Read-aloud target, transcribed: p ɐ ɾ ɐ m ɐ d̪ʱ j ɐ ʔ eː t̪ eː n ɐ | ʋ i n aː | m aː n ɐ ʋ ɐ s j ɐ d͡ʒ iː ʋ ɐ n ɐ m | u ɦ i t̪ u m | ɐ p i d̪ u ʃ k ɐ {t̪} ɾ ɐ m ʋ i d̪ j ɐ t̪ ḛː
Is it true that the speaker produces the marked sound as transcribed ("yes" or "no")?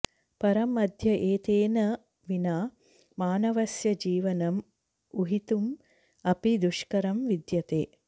no